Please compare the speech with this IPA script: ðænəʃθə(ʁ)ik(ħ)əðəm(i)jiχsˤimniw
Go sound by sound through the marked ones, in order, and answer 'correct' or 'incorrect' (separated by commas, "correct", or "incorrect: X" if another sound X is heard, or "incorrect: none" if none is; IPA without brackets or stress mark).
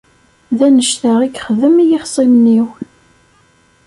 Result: correct, incorrect: χ, correct